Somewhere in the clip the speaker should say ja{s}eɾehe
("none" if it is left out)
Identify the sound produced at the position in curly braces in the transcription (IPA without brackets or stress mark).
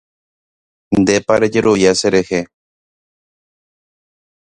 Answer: s